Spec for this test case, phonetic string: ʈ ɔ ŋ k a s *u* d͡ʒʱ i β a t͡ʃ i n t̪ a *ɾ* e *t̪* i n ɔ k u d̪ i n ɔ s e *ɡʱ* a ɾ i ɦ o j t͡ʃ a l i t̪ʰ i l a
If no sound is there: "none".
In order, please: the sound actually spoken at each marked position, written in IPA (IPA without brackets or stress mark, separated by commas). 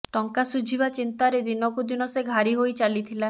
u, ɾ, d̪, ɡʱ